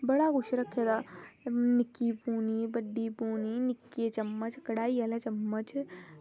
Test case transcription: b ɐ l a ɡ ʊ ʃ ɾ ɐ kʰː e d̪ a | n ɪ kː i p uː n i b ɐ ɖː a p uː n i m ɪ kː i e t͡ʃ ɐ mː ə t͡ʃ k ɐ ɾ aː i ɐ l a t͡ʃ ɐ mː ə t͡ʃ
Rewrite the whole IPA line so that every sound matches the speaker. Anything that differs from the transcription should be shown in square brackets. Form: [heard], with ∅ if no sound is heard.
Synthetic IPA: b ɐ [ɽ] a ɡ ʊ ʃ ɾ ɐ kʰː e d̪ a | n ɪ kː i p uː n i b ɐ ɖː [i] p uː n i [n] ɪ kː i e t͡ʃ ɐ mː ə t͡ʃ k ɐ [ɽ] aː i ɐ l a t͡ʃ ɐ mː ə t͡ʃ

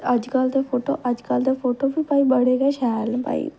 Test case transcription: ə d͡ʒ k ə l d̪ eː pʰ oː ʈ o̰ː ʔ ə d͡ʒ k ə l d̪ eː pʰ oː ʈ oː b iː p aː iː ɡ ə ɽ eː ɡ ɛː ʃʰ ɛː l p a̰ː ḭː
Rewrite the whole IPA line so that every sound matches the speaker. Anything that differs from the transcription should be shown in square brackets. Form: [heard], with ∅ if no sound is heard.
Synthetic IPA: ə d͡ʒ k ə l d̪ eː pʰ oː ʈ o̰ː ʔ ə d͡ʒ k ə l d̪ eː pʰ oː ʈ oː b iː p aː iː [b] ə ɽ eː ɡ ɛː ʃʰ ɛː l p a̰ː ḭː

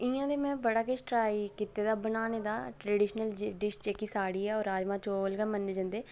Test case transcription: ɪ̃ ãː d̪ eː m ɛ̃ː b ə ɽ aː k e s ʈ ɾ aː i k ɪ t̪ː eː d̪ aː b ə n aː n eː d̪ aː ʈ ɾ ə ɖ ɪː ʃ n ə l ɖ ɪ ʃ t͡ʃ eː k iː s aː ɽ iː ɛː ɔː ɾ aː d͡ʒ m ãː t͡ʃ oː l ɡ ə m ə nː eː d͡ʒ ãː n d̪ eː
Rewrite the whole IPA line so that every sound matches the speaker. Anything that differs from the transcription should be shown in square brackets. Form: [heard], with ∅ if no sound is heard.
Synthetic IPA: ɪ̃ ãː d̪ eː m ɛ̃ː b ə ɽ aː k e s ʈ ɾ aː i k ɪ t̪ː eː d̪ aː b ə n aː n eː d̪ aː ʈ ɾ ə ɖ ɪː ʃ n ə l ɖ ɪ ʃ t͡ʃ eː k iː s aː ɽ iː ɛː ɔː ɾ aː d͡ʒ m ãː t͡ʃ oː l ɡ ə m ə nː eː d͡ʒ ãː n d̪ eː

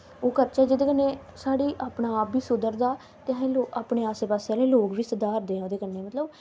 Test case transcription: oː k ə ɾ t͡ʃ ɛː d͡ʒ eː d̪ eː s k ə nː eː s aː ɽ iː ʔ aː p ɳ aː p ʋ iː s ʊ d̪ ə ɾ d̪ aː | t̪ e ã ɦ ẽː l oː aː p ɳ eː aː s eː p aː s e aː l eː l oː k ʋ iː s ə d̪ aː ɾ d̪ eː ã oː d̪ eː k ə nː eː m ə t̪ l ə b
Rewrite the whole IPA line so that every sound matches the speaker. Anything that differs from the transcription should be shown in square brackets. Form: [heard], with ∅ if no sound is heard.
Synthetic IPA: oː k ə ɾ t͡ʃ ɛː d͡ʒ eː d̪ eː [∅] k ə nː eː s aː ɽ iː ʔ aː p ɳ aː p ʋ iː s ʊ d̪ ə ɾ d̪ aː | t̪ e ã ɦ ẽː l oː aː p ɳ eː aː s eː p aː s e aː l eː l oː k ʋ iː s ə d̪ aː ɾ d̪ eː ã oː d̪ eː k ə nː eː m ə t̪ l ə b

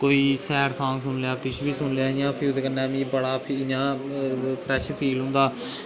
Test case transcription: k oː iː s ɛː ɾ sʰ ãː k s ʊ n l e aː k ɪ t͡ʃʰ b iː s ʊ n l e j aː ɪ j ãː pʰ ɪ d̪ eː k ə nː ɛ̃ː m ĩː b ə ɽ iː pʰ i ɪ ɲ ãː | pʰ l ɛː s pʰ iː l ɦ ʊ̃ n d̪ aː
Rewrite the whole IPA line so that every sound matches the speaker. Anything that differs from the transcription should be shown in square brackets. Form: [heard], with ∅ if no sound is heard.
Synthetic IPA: k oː iː s ɛː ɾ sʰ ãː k s ʊ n l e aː k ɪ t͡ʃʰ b iː s ʊ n l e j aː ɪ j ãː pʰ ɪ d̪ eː k ə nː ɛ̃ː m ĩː b ə ɽ [aː] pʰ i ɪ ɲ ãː | pʰ [ɾ] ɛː [ʃ] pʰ iː l ɦ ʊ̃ n d̪ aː

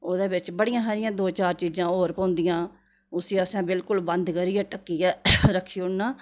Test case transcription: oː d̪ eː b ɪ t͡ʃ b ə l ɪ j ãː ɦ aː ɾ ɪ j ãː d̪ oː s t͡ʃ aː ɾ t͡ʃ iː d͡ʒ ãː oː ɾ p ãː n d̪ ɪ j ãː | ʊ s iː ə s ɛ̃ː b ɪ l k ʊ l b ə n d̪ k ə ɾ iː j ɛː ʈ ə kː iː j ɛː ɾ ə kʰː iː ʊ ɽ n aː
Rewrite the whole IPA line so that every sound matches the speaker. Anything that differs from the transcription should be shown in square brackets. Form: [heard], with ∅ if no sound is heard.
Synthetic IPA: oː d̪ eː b ɪ t͡ʃ b ə [ɽ] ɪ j ãː ɦ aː ɾ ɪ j ãː d̪ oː [∅] t͡ʃ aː ɾ t͡ʃ iː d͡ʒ ãː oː ɾ p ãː n d̪ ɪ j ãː | ʊ s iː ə s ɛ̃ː b ɪ l k ʊ l b ə n d̪ k ə ɾ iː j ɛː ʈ ə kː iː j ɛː ɾ ə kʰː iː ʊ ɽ n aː

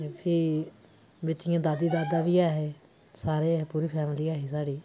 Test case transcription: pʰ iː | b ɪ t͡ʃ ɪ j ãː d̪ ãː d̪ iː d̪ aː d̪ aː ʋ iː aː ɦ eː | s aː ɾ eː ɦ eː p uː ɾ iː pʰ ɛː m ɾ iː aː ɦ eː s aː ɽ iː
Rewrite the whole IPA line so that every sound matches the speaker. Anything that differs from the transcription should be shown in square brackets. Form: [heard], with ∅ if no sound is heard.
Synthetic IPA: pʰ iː | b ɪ t͡ʃ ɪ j ãː d̪ [aː] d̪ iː d̪ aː d̪ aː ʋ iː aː ɦ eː | s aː ɾ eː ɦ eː p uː ɾ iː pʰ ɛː m [l] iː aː ɦ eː s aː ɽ iː

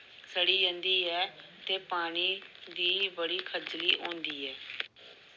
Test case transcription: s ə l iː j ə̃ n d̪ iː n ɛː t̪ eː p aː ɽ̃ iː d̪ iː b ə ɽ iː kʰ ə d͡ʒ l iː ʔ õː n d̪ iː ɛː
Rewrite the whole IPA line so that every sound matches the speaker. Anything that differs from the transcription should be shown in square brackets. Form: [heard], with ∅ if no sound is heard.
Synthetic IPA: s ə [ɽ] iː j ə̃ n d̪ iː [∅] ɛː t̪ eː p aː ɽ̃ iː d̪ iː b ə ɽ iː kʰ ə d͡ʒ l iː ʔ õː n d̪ iː ɛː

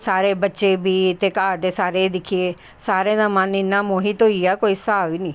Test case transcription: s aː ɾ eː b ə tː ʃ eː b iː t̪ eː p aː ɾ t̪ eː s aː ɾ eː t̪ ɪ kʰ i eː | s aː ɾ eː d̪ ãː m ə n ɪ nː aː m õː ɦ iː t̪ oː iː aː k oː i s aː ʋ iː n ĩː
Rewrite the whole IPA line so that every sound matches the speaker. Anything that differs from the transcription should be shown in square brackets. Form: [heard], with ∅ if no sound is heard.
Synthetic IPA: s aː ɾ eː b ə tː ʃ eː b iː t̪ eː [k] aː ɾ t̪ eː s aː ɾ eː [d̪] ɪ kʰ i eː | s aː ɾ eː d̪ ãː m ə n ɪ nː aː m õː ɦ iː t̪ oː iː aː k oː i s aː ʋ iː n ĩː

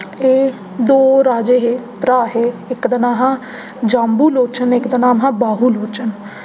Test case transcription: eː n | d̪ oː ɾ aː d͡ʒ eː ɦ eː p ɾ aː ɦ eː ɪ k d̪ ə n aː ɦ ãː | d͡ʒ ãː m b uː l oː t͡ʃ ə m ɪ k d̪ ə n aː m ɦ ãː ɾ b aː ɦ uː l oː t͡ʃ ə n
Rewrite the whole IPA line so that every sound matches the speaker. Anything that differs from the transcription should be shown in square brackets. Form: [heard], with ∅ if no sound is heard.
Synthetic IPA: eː [∅] | d̪ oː ɾ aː d͡ʒ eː ɦ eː p ɾ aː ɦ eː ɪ k d̪ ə n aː ɦ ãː | d͡ʒ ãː m b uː l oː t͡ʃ ə [n] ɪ k d̪ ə n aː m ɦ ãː [∅] b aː ɦ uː l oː t͡ʃ ə n

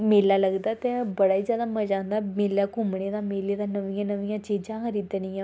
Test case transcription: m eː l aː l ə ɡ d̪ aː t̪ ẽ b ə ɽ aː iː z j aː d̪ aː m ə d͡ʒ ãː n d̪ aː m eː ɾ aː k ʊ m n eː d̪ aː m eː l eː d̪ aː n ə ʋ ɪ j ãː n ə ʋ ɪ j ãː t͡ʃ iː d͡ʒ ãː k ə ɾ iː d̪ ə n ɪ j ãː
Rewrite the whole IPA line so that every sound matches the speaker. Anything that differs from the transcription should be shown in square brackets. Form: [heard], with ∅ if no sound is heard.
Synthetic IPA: m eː l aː l ə ɡ d̪ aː t̪ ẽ b ə ɽ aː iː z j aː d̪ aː m ə d͡ʒ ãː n d̪ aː m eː [l] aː k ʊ m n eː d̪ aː m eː l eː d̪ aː n ə ʋ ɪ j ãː n ə ʋ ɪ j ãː t͡ʃ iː d͡ʒ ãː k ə ɾ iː d̪ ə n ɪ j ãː

